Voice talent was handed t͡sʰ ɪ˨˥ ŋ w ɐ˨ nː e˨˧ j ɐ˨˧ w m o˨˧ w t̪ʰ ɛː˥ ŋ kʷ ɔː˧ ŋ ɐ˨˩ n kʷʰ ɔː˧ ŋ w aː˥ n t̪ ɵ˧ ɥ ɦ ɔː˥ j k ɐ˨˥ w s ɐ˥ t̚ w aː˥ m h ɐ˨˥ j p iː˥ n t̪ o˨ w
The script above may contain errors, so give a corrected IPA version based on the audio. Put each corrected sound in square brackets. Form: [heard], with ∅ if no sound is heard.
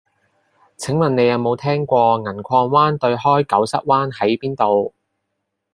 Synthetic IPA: t͡sʰ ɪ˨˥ ŋ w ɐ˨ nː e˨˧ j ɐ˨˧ w m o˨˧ w t̪ʰ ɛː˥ ŋ kʷ ɔː˧ ŋ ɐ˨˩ n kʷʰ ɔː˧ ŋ w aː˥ n t̪ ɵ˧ ɥ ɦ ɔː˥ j k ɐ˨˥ w s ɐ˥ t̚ w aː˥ [n] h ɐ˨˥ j p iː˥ n t̪ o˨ w